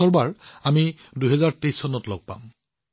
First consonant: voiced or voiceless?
voiced